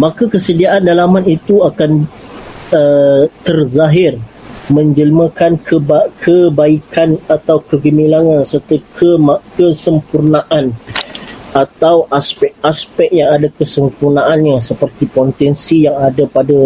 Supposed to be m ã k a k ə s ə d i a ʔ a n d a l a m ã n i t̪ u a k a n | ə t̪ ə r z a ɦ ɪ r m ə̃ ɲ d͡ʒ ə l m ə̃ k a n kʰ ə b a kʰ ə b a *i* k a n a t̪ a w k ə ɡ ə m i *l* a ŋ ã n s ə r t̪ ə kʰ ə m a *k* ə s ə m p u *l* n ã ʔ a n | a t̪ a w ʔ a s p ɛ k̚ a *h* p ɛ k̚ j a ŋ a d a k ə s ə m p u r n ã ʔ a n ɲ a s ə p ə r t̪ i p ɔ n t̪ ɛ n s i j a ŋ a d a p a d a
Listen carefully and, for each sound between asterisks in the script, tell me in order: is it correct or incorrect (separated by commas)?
correct, correct, correct, incorrect, incorrect